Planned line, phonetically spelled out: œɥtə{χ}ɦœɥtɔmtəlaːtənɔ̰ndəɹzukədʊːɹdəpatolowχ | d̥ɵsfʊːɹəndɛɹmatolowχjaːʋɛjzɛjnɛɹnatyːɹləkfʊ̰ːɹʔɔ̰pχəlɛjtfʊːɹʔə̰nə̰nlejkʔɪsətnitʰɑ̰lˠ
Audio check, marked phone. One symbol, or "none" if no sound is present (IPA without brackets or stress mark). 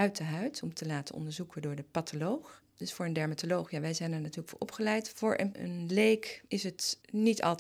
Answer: none